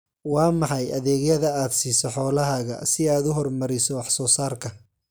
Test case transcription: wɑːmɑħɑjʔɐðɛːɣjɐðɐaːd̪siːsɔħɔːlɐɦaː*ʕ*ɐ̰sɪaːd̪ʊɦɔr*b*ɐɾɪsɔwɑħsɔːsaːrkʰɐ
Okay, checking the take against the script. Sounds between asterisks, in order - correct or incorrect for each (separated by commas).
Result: incorrect, incorrect